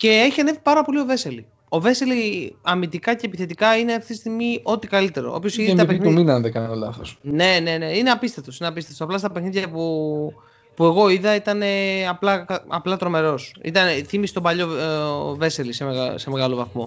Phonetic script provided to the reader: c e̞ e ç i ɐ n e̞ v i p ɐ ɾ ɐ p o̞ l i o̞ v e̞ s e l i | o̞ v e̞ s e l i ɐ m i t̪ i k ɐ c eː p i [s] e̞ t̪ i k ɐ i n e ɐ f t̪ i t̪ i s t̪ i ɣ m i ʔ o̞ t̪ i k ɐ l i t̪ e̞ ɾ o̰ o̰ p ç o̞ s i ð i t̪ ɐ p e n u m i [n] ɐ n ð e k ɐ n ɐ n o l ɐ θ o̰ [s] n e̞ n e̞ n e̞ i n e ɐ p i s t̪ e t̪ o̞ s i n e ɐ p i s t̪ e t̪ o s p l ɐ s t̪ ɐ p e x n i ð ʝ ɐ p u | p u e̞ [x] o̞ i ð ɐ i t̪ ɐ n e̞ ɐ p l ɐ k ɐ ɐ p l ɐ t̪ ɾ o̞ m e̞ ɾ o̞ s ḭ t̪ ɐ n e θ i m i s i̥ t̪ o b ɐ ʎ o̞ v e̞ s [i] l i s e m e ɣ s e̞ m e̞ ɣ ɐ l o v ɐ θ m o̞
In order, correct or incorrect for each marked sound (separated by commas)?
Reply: incorrect, correct, correct, incorrect, incorrect